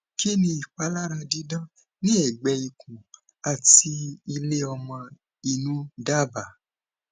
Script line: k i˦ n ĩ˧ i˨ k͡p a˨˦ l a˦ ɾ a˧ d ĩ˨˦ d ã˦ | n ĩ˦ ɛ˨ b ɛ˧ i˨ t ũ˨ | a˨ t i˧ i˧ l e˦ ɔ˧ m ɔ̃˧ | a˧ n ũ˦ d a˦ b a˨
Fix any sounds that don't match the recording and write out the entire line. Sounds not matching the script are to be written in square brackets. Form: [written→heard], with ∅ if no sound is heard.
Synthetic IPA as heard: k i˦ n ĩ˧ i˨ k͡p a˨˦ l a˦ ɾ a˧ d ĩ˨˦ d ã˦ | n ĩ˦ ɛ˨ [b→ɡ͡b] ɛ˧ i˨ [t→k] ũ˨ | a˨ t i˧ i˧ l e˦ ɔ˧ m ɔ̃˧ | [a˧→i˧] n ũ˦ d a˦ b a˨